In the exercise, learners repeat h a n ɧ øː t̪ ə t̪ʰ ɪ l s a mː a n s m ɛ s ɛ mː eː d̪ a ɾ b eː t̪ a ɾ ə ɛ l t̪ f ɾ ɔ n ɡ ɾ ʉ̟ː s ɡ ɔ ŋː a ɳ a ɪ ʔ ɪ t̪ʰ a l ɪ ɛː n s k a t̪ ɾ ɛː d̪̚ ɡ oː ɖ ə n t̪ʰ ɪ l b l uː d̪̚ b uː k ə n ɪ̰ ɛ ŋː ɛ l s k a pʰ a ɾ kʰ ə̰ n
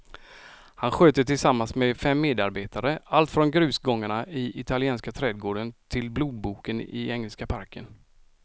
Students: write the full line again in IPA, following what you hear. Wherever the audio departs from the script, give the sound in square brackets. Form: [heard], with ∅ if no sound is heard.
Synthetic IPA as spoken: h a n ɧ øː t̪ ə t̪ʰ ɪ l s a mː a n s m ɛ [f] ɛ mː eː d̪ a ɾ b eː t̪ a ɾ ə [a] l t̪ f ɾ ɔ n ɡ ɾ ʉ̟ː s ɡ ɔ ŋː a ɳ a ɪ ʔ ɪ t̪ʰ a l ɪ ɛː n s k a [t̪ʰ] ɾ ɛː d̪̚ ɡ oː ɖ ə n t̪ʰ ɪ l b l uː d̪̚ b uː k ə n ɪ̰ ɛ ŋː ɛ l s k a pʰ a ɾ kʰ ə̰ n